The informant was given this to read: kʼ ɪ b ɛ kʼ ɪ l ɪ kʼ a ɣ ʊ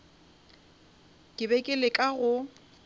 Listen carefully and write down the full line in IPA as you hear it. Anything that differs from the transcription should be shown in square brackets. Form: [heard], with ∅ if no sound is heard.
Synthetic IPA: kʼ ɪ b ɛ kʼ ɪ l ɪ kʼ a ɣ ʊ